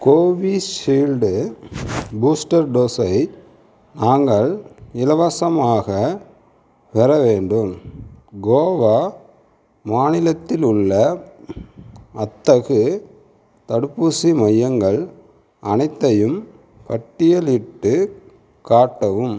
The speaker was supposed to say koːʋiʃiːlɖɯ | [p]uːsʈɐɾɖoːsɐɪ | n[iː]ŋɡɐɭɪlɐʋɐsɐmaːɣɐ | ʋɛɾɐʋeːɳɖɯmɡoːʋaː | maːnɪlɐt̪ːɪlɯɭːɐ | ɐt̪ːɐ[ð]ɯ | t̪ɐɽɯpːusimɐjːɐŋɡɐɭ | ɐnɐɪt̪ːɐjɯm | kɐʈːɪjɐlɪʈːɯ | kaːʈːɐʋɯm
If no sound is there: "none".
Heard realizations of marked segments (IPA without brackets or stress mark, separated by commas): b, aː, ɣ